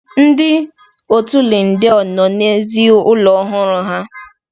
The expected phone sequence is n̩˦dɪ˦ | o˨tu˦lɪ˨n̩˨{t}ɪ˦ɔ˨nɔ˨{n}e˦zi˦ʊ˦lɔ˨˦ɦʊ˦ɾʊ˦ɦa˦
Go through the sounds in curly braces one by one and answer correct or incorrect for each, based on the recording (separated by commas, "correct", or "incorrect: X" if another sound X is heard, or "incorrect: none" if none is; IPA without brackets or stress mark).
incorrect: d, correct